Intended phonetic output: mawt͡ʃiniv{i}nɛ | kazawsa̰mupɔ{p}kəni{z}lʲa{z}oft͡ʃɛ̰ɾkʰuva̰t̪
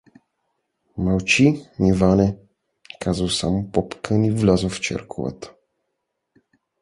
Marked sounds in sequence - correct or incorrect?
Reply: incorrect, correct, incorrect, correct

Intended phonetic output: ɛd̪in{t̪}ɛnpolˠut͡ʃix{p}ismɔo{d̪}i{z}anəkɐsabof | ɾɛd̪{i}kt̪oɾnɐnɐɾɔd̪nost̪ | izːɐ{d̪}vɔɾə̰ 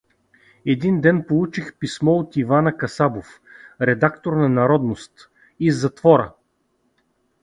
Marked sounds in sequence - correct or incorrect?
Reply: incorrect, correct, incorrect, incorrect, incorrect, incorrect

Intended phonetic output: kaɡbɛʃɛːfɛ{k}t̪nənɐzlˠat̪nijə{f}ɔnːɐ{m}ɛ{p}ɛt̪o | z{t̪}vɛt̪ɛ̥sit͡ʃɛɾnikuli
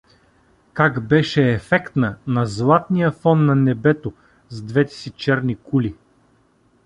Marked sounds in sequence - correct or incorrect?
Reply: correct, correct, incorrect, incorrect, incorrect

